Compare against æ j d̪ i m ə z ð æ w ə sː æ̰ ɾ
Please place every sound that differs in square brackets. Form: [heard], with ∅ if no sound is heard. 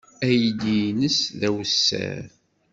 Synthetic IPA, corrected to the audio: æ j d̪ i [n] ə [s] ð æ w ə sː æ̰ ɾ